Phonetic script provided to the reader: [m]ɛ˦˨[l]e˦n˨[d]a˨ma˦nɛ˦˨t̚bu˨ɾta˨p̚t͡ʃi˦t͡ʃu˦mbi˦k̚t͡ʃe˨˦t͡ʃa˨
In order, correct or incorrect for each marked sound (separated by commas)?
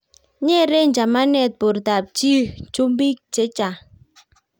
incorrect, incorrect, incorrect